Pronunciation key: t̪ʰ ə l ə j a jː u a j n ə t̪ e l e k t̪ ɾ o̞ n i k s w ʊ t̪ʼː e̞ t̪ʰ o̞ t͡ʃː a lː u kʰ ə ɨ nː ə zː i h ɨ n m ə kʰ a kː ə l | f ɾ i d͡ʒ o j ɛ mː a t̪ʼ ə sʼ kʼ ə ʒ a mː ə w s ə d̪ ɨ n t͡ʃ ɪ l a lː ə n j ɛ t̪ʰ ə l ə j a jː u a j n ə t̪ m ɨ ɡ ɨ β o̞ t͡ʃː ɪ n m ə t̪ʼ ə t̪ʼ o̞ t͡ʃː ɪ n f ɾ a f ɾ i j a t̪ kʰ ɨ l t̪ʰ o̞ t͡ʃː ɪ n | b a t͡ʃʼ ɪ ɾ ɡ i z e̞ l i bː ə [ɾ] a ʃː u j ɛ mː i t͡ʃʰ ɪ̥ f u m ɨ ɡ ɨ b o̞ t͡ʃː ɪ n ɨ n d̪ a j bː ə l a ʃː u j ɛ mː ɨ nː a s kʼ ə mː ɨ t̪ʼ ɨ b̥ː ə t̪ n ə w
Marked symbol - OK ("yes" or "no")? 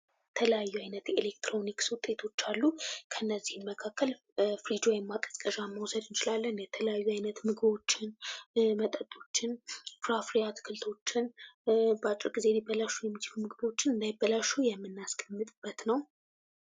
no